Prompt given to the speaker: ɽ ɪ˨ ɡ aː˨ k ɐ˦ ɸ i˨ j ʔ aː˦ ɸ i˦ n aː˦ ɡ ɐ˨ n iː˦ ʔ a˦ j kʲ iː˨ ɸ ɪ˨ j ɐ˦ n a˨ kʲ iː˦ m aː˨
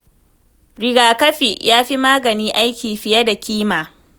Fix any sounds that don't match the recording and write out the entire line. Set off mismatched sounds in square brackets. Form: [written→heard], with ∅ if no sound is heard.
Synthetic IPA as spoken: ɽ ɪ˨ ɡ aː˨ k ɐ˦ ɸ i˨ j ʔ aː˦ ɸ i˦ [n→m] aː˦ ɡ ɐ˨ n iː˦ ʔ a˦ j kʲ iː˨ ɸ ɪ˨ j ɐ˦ [n→d] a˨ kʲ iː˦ m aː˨

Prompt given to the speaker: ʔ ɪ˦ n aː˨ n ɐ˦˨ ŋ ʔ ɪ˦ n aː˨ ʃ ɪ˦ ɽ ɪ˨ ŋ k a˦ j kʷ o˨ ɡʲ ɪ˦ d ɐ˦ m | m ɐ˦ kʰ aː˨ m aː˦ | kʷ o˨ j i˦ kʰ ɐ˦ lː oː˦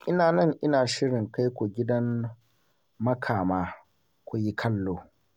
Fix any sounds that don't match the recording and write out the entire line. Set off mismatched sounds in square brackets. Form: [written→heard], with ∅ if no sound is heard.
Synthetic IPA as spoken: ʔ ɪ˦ n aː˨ n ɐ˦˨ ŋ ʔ ɪ˦ n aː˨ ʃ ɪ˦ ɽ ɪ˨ ŋ k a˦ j kʷ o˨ ɡʲ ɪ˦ d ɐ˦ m | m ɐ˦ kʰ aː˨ m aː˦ | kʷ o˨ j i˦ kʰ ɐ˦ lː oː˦

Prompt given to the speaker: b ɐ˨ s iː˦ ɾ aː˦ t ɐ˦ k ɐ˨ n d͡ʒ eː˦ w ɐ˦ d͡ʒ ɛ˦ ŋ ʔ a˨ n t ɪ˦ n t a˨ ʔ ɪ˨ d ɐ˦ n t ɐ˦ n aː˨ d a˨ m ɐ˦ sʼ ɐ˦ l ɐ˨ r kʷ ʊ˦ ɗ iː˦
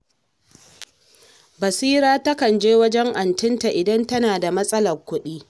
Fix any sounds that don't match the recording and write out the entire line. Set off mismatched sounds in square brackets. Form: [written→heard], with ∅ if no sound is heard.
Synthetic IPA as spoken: b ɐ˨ s iː˦ ɾ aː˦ t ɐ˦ k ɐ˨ n d͡ʒ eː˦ w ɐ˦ d͡ʒ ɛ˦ ŋ ʔ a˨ n t ɪ˦ n t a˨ ʔ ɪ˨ d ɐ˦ n t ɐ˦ n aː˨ d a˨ m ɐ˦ sʼ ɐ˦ l ɐ˨ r kʷ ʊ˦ ɗ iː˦

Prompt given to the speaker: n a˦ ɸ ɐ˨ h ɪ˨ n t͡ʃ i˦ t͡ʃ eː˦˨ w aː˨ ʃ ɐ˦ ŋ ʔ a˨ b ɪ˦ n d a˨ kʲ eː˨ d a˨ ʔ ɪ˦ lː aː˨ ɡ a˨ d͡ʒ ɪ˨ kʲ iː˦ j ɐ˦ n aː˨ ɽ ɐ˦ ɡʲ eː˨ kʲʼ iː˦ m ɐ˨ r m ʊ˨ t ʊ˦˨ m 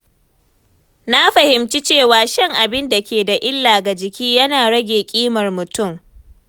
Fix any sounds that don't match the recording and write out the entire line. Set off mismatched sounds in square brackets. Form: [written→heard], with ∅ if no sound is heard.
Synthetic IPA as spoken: n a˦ ɸ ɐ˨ h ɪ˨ [n→m] t͡ʃ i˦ t͡ʃ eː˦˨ w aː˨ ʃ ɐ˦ ŋ ʔ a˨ b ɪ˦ n d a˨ kʲ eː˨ d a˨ ʔ ɪ˦ lː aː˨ ɡ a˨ d͡ʒ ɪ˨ kʲ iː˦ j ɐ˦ n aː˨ ɽ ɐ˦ ɡʲ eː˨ kʲʼ iː˦ m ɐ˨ r m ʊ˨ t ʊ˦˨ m

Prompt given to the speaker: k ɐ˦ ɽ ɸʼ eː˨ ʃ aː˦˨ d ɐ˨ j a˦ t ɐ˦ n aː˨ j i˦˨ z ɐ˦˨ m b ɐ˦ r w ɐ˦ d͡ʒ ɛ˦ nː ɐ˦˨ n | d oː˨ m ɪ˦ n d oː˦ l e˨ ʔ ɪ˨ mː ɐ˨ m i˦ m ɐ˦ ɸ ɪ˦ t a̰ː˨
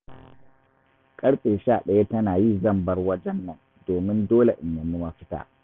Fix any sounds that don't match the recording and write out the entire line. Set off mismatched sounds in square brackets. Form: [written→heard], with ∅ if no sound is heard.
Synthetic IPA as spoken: [k→kʼ] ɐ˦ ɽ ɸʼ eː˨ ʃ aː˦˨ [d→ɗ] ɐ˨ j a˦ t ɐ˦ n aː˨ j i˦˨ z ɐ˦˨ m b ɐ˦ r w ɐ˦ d͡ʒ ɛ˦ nː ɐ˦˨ n | d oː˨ m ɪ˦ n d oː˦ l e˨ ʔ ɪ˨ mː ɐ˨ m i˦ m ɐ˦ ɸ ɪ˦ t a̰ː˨

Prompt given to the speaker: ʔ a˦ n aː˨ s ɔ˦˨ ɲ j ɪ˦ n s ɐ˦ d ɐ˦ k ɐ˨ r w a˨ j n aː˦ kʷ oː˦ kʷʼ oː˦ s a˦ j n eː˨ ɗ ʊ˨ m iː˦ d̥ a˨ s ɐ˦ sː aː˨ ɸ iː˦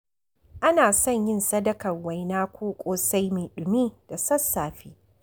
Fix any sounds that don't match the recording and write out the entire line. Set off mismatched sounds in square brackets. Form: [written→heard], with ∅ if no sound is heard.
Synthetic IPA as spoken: ʔ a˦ n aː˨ s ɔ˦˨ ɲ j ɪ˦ n s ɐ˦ d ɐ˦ k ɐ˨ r w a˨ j n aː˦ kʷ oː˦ kʷʼ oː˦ s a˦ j [n→m] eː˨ ɗ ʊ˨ m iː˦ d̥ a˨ s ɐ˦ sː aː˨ ɸ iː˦

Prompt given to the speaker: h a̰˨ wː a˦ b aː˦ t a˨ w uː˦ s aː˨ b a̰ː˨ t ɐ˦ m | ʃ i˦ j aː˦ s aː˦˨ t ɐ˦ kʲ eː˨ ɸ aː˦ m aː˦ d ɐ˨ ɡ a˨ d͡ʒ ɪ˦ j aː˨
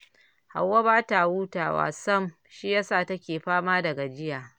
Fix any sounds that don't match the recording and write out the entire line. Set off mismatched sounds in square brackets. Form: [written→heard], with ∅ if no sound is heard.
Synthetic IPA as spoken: h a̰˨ wː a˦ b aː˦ t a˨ w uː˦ [s→t] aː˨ [b→w] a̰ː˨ [t→s] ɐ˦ m | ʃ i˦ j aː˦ s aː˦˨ t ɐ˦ kʲ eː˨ ɸ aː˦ m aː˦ d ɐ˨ ɡ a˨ d͡ʒ ɪ˦ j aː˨

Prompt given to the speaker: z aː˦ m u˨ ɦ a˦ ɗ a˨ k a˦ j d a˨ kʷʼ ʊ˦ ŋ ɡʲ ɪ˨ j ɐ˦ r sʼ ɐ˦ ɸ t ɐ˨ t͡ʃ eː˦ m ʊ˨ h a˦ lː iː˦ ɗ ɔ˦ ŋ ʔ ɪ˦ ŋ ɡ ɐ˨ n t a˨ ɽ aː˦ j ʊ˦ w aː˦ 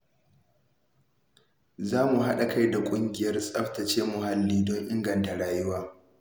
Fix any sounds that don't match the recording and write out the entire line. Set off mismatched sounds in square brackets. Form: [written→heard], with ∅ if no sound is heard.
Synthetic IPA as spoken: z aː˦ m u˨ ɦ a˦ ɗ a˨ k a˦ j d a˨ kʷʼ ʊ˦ ŋ ɡʲ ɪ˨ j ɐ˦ r sʼ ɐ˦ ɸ t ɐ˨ t͡ʃ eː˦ m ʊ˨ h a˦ lː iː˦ [ɗ→d] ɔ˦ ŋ ʔ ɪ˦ ŋ ɡ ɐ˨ n t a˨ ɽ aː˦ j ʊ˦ w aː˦

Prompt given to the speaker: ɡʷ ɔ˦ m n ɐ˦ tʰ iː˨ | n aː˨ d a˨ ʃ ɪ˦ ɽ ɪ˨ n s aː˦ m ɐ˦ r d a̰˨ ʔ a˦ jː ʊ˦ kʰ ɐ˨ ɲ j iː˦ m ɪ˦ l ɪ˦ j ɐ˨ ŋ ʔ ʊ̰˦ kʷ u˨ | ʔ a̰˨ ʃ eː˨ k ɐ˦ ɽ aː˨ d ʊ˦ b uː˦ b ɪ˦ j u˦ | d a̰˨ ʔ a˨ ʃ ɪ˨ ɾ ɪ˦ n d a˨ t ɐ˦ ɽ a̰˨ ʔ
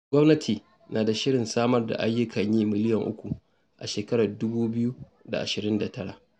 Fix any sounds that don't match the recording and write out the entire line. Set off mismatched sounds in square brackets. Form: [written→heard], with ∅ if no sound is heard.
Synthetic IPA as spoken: ɡʷ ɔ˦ m n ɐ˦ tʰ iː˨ | n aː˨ d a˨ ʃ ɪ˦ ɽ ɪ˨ n s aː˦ m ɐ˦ r d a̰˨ ʔ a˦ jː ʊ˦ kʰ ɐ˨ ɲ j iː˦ m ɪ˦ l ɪ˦ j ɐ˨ ŋ ʔ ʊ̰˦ kʷ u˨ | ʔ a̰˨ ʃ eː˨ k ɐ˦ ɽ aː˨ d ʊ˦ b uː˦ b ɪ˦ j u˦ | d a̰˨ ʔ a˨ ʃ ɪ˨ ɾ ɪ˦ n d a˨ t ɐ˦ ɽ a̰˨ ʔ

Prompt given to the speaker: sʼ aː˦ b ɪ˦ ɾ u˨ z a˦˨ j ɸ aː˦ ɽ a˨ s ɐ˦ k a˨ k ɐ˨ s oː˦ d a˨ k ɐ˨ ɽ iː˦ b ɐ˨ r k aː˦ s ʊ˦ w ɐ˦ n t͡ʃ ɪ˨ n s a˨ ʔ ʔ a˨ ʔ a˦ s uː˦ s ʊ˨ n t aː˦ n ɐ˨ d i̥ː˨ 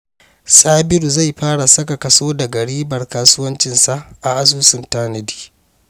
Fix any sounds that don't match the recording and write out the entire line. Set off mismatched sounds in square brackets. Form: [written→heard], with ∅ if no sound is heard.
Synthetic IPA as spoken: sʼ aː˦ b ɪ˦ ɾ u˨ z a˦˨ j ɸ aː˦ ɽ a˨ s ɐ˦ k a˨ k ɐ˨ s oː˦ d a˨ [k→ɡ] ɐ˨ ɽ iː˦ b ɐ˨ r k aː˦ s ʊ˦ w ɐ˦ n t͡ʃ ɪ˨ n s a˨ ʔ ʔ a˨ ʔ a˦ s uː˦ s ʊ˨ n t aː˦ n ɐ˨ d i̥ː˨

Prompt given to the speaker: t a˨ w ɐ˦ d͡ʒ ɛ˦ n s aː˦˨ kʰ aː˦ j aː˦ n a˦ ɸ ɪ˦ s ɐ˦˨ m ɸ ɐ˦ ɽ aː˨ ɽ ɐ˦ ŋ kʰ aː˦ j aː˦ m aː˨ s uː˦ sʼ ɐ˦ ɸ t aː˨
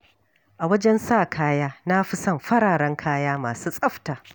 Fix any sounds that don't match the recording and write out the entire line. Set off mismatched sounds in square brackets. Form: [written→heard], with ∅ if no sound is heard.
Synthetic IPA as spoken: [t→ʔ] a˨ w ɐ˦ d͡ʒ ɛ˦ n s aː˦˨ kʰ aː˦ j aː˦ n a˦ ɸ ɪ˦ s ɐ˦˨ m ɸ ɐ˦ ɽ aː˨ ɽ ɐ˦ ŋ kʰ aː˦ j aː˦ m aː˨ s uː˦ sʼ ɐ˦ ɸ t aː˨

